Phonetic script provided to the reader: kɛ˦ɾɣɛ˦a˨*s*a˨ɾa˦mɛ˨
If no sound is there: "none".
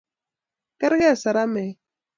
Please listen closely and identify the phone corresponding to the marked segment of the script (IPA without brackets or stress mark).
s